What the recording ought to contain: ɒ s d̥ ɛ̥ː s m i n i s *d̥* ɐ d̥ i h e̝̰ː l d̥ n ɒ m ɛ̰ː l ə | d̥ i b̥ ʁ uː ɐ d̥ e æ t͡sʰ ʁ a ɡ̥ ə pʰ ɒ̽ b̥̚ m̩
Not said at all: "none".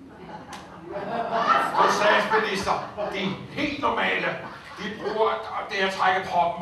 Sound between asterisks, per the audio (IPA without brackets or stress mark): d̥